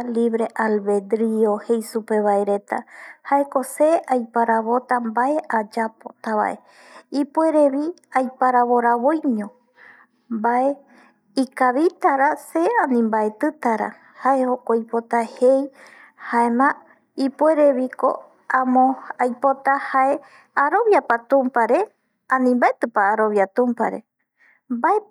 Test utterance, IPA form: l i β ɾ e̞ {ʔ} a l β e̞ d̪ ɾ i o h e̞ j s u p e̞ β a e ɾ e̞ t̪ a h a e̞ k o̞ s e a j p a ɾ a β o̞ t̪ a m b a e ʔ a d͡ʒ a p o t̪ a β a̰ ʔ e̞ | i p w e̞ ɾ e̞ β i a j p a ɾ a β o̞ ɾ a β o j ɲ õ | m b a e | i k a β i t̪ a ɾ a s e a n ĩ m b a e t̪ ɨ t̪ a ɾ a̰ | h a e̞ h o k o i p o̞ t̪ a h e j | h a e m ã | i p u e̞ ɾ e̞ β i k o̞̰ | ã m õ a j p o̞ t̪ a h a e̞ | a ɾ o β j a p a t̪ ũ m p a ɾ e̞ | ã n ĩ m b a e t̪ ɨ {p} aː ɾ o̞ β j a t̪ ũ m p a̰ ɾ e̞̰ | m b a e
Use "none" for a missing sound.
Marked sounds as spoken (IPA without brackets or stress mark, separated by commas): ʔ, p